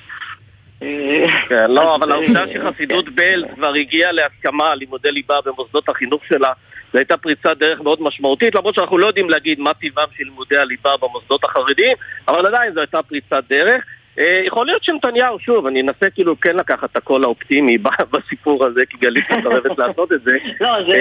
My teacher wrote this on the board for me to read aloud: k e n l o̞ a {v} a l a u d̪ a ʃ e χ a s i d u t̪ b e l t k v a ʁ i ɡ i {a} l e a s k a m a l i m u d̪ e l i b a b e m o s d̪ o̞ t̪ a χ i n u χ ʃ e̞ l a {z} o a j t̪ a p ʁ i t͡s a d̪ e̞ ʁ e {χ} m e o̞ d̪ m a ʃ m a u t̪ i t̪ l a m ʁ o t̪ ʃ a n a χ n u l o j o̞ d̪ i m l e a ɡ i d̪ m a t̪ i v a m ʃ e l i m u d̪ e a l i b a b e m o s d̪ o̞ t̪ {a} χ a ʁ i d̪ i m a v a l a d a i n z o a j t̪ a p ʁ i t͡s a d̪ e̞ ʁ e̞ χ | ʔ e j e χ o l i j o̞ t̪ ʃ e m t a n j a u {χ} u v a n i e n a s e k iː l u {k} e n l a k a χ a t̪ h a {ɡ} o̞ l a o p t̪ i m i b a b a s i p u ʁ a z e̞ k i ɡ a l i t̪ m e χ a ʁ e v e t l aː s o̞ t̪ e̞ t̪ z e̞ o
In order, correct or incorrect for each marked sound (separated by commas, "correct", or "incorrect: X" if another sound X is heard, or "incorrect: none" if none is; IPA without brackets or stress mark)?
correct, correct, correct, correct, correct, incorrect: ʃ, correct, incorrect: k